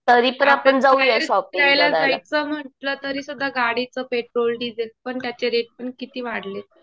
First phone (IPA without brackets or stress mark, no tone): t̪